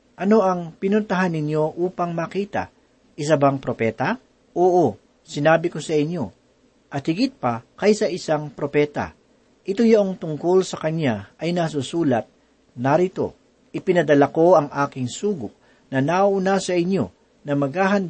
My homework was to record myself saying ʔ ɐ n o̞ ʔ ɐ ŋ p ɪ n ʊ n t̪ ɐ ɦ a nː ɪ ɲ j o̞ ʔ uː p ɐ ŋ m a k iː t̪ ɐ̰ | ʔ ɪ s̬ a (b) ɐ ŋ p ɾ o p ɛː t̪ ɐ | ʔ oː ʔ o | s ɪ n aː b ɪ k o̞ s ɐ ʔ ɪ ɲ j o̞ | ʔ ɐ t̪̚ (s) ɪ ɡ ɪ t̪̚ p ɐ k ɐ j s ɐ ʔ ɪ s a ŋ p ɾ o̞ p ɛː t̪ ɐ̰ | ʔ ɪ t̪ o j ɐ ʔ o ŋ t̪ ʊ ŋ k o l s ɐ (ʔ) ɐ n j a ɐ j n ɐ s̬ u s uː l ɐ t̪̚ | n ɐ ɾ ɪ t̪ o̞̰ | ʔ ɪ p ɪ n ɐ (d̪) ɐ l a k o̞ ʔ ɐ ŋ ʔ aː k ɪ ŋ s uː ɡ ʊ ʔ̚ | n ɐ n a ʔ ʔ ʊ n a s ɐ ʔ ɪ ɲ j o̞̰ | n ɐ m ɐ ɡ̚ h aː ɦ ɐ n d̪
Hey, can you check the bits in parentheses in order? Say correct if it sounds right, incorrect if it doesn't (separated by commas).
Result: correct, incorrect, incorrect, correct